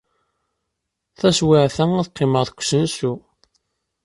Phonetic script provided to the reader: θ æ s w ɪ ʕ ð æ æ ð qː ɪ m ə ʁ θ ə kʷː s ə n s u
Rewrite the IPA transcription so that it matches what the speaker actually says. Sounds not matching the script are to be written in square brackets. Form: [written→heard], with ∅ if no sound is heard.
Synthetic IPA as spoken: θ æ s w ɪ ʕ [ð→θ] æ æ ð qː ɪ m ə ʁ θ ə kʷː s ə n s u